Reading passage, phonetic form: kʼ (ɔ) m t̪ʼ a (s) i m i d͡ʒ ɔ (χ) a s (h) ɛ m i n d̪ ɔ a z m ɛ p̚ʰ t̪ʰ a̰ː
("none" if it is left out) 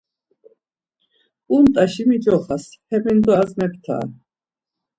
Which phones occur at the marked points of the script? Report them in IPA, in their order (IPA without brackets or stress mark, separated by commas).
u, ʃ, χ, h